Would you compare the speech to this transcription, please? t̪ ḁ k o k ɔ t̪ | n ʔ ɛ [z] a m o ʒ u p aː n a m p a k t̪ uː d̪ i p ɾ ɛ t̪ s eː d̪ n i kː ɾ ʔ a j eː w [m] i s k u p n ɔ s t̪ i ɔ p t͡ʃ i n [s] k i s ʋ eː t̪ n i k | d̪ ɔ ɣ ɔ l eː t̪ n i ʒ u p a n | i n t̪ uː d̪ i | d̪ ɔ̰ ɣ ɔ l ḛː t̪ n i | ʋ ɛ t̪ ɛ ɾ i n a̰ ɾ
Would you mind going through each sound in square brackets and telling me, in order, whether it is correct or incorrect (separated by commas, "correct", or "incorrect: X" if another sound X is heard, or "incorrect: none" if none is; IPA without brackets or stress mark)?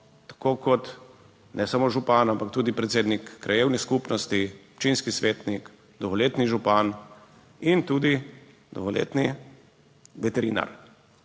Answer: incorrect: s, incorrect: n, correct